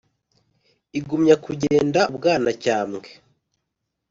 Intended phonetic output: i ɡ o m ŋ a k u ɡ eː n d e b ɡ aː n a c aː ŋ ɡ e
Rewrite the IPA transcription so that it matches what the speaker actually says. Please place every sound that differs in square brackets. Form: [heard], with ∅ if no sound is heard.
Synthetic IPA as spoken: i ɡ [u] m [ɲ] a k u [ɟ] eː n d [a] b ɡ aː n a c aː [m] ɡ e